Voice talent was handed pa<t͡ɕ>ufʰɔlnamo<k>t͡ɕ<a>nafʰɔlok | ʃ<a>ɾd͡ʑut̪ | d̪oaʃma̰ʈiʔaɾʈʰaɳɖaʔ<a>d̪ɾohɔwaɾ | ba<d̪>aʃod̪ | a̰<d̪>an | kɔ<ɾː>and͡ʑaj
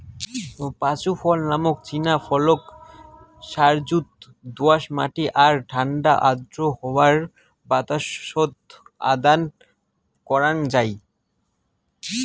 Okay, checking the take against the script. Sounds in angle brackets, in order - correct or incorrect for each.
correct, correct, incorrect, correct, correct, incorrect, correct, incorrect

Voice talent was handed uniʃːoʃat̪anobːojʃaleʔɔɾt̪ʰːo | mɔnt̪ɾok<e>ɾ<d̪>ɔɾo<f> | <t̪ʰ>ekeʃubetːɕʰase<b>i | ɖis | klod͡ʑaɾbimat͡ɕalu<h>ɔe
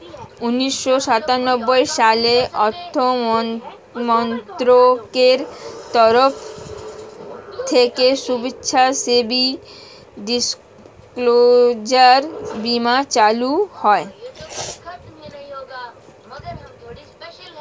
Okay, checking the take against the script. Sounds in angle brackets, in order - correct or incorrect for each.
correct, incorrect, correct, correct, correct, correct

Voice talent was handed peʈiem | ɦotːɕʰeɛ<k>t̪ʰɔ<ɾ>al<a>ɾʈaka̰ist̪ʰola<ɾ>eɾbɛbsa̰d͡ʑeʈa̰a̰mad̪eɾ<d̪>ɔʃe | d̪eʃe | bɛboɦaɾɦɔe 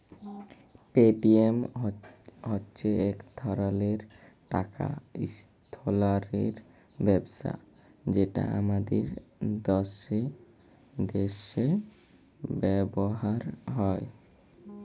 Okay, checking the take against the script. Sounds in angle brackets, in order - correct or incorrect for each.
correct, correct, incorrect, correct, correct

